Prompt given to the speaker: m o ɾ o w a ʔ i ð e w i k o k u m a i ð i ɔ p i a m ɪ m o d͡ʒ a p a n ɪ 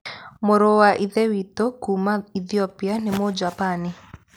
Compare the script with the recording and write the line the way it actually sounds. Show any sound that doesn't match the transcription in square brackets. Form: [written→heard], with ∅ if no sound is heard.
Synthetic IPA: m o ɾ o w a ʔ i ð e w i [k→t] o k u m a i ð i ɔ p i a [m→n] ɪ m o d͡ʒ a p a n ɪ